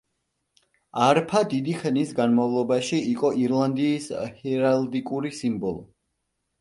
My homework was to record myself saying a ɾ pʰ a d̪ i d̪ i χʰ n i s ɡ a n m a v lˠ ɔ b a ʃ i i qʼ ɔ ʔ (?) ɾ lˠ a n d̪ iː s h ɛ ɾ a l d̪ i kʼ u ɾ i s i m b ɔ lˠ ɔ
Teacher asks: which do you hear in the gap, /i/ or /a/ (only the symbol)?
i